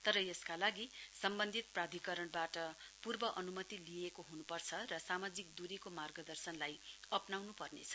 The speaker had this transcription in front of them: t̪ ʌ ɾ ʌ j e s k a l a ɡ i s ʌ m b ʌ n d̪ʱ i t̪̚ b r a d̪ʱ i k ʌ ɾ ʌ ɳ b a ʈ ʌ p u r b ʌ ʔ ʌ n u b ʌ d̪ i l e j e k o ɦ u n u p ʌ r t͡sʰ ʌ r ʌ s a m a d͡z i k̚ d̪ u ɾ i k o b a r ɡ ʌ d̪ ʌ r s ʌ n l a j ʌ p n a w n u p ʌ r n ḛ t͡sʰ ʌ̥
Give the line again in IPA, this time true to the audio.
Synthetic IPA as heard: t̪ ʌ ɾ ʌ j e s k a l a ɡ i s ʌ m b ʌ n d̪ʱ i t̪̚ p r a d̪ʱ i k ʌ ɾ ʌ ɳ b a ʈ ʌ p u r b ʌ ʔ ʌ n u m ʌ t̪ i l i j e k o ɦ u n u p ʌ r t͡sʰ ʌ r ʌ s a m a d͡z i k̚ d̪ u ɾ i k o m a r ɡ ʌ d̪ ʌ r s ʌ n l a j ʌ p n a w n u p ʌ r n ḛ t͡sʰ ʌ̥

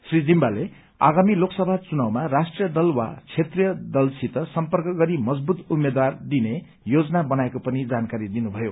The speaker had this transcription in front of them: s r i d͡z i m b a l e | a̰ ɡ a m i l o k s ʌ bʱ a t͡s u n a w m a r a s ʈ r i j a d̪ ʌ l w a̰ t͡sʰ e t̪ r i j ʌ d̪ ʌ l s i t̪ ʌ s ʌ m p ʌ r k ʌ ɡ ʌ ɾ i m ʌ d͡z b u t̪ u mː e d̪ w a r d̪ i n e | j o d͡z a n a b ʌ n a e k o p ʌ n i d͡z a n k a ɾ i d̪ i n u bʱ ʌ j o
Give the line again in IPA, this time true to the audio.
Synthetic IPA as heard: s r i d͡z i m b a l e | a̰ ɡ a m i l o k s ʌ bʱ a t͡s u n a w m a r a s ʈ r i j ʌ d̪ ʌ l w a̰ t͡sʰ e t̪ r i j ʌ d̪ ʌ l s i t̪ ʌ s ʌ m p ʌ r k ʌ ɡ ʌ ɾ i m ʌ d͡z b u t̪ u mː e d̪ w a r d̪ i n e | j o d͡z ʌ n a b ʌ n a e k o p ʌ n i d͡z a n k a ɾ i d̪ i n u bʱ ʌ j o

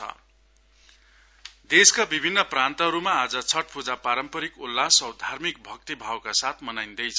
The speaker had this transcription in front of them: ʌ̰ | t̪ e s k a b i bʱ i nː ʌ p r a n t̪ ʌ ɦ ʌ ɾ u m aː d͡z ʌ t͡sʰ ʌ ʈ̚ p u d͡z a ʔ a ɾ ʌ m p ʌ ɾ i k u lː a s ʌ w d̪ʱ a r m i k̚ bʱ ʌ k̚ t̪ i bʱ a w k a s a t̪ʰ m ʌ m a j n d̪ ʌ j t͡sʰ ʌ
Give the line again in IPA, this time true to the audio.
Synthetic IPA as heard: ʌ̰ | d̪ e s k a b i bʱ i nː ʌ p r a n t̪ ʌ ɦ ʌ ɾ u m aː d͡z ʌ t͡sʰ ʌ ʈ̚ p u d͡z a p a ɾ ʌ m p ʌ ɾ i k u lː a s ʌ w d̪ʱ a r m i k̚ bʱ ʌ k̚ t̪ i bʱ a w k a s a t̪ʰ m ʌ n a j n d̪ ʌ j t͡sʰ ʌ

